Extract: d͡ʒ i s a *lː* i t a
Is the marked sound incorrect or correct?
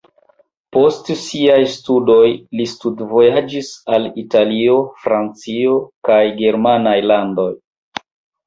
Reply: incorrect